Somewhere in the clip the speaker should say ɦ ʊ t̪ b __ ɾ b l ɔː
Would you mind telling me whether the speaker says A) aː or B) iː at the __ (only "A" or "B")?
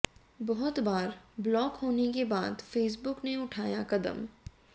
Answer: A